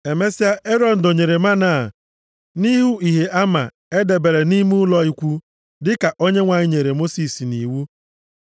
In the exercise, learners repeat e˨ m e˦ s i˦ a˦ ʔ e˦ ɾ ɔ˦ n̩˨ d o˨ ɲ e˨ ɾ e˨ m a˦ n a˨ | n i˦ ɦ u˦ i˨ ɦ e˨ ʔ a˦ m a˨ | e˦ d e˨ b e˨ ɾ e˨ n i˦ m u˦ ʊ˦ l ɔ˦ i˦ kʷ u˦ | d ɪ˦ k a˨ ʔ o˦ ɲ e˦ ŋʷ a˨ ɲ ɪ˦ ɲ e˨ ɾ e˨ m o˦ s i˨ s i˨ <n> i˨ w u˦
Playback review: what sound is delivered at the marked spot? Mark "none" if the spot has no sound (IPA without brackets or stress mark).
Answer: n